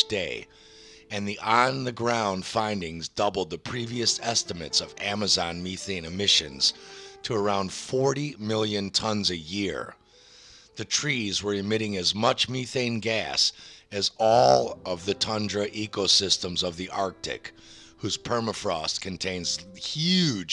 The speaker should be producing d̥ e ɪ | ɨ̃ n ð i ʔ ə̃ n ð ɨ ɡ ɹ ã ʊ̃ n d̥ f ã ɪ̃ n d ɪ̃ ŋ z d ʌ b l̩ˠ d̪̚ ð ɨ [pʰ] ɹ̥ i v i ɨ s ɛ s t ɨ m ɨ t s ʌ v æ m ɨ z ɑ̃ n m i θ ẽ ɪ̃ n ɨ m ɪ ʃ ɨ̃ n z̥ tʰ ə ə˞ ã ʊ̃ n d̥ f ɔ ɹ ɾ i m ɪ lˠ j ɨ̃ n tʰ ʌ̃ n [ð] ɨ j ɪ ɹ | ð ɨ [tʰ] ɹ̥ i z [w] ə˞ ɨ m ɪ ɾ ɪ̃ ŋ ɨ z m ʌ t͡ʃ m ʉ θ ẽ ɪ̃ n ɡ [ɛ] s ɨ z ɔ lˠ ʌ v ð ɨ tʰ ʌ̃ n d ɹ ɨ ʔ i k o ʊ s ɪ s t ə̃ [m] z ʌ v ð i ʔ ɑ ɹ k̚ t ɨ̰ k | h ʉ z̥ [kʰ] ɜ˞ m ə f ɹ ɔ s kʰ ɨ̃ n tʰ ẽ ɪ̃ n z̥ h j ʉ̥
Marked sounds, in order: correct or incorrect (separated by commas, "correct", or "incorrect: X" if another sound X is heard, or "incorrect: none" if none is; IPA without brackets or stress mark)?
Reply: correct, incorrect: z, correct, correct, incorrect: æ, correct, incorrect: pʰ